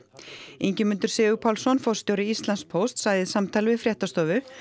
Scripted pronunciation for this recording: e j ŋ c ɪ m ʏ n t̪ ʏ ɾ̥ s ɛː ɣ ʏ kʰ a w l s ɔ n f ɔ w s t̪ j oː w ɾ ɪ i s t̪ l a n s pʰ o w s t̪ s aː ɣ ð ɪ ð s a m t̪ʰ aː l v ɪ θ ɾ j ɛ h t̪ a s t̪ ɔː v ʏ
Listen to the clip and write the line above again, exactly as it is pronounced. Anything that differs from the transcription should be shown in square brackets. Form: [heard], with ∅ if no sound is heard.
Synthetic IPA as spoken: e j [ɲ] c ɪ m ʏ n t̪ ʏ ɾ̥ s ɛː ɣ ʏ [pʰ] a w l s ɔ n f ɔ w s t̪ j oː w ɾ ɪ i s t̪ l a n s pʰ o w s t̪ s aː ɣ ð ɪ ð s a m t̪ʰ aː l v ɪ [f] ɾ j ɛ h t̪ a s t̪ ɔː v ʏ